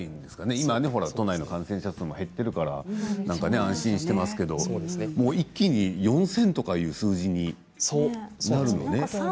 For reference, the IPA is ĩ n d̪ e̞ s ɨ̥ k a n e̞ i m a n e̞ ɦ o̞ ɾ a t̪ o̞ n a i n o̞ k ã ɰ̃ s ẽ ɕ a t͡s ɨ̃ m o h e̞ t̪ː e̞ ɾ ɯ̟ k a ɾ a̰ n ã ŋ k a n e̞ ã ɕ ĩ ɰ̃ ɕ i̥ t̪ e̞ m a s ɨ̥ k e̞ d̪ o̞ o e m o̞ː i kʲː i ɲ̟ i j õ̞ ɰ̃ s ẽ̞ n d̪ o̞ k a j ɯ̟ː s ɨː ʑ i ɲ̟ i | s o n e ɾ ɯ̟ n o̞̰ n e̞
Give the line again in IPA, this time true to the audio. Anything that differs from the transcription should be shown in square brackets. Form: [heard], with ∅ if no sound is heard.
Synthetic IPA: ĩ n d̪ e̞ s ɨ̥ k a n e̞ i m a n e̞ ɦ o̞ ɾ a t̪ o̞ n a i n o̞ k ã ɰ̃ s ẽ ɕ a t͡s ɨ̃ m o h e̞ t̪ː e̞ ɾ ɯ̟ k a ɾ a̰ n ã ŋ k a n e̞ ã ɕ ĩ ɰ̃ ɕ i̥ t̪ e̞ m a s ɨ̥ k e̞ d̪ o̞ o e m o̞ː i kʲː i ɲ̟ i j õ̞ ɰ̃ s ẽ̞ n [t̪] o̞ k a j ɯ̟ː s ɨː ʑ i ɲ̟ i | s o n [a] ɾ ɯ̟ n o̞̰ n e̞

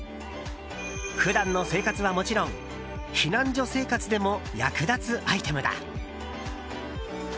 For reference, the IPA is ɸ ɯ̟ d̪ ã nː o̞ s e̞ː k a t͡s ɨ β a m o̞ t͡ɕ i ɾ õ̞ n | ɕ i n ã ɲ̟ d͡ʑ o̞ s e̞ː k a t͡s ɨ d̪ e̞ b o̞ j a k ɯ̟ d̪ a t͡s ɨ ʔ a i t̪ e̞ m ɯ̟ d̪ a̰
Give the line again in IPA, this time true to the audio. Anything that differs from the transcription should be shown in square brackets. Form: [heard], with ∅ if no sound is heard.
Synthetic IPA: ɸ ɯ̟ d̪ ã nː o̞ s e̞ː k a t͡s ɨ β a m o̞ t͡ɕ i ɾ õ̞ [ŋ] | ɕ i n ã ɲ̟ d͡ʑ o̞ s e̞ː k a t͡s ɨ d̪ e̞ [m] o̞ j a k ɯ̟ d̪ a t͡s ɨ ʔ a i t̪ e̞ m ɯ̟ d̪ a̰

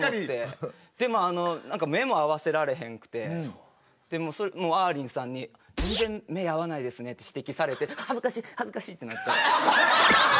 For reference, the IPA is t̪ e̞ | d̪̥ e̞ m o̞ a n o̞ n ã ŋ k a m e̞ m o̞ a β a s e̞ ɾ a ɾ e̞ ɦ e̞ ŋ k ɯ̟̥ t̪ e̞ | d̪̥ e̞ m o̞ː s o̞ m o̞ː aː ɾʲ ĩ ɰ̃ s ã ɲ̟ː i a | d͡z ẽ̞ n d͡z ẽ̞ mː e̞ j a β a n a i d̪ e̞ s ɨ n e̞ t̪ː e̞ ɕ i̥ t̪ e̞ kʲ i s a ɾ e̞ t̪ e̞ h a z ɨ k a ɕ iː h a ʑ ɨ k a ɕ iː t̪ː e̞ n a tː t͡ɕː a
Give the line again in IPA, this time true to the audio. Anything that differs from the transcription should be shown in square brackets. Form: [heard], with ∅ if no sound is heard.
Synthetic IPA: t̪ e̞ | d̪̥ e̞ m o̞ a n o̞ n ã ŋ k a m e̞ m o̞ a β a s e̞ ɾ a ɾ e̞ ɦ [ẽ̞] ŋ k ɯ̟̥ t̪ e̞ | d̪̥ e̞ m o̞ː s o̞ m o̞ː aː ɾʲ ĩ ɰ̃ s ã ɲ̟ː i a | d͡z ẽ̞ n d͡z ẽ̞ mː e̞ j a β a n a i d̪ e̞ s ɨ n e̞ t̪ː e̞ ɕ i̥ t̪ e̞ kʲ i s a ɾ e̞ t̪ e̞ h a z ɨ k a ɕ iː h a [z] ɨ k a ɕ iː t̪ː e̞ n a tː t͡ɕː a

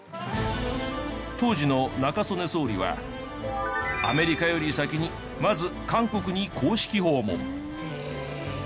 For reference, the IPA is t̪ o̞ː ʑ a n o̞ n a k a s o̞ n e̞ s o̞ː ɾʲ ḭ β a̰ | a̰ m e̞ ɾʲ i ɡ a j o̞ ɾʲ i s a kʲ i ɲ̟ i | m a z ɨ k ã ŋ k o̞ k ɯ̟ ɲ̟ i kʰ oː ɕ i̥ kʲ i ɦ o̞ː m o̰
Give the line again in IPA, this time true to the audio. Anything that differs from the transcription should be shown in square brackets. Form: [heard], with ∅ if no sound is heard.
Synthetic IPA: t̪ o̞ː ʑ [i] n o̞ n a k a s o̞ n e̞ s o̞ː ɾʲ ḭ β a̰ | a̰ m e̞ ɾʲ i [k] a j o̞ ɾʲ i s a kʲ i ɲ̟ i | m a z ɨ k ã ŋ k o̞ k ɯ̟ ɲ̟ i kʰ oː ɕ i̥ kʲ i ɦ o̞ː m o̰

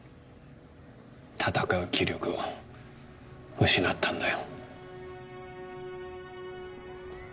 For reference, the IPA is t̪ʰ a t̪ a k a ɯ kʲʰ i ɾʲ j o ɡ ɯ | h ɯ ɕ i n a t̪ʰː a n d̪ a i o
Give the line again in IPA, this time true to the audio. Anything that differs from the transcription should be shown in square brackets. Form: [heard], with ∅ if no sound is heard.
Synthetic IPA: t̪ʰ a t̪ a k a ɯ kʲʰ i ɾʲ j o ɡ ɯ | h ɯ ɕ i n a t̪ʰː a n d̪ a [j] o

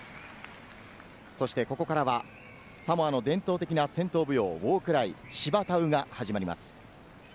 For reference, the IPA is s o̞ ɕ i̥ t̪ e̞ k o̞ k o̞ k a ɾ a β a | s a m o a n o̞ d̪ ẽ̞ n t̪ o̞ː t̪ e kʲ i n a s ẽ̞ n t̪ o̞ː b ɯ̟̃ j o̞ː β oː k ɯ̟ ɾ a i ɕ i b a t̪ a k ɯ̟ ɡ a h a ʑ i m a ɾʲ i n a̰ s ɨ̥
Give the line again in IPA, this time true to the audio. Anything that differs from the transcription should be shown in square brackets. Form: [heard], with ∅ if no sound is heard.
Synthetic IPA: s o̞ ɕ i̥ t̪ e̞ k o̞ k o̞ k a ɾ a β a | s a m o a n o̞ d̪ ẽ̞ n t̪ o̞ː t̪ e kʲ i n a s ẽ̞ n t̪ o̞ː b [ɯ̟] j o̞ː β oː k ɯ̟ ɾ a i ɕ i b a t̪ a [∅] ɯ̟ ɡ a h a ʑ i m a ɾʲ i [m] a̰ s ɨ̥

